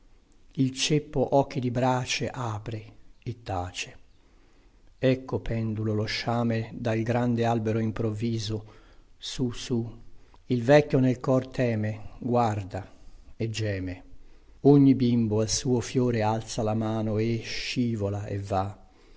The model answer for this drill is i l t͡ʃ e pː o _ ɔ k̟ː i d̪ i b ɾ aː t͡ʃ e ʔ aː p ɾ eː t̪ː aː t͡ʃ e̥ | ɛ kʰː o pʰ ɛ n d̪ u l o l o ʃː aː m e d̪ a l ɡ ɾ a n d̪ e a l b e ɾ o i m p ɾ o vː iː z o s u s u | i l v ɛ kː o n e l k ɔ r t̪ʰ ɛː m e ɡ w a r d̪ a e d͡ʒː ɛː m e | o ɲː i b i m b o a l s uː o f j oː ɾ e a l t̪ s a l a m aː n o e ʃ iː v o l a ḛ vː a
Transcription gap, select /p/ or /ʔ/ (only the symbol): ʔ